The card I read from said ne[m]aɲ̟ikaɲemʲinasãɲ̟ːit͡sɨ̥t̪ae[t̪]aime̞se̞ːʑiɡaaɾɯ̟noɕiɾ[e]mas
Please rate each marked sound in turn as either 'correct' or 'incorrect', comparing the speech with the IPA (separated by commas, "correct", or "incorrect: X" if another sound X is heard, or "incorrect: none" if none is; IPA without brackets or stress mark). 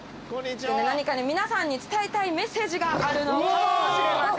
incorrect: n, correct, correct